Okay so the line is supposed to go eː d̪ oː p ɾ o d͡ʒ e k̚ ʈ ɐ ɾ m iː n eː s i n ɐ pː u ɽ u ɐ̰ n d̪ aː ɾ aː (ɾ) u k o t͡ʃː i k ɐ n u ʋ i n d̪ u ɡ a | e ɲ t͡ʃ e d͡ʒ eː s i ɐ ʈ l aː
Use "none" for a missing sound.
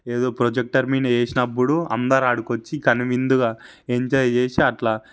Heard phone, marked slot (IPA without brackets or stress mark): ɽ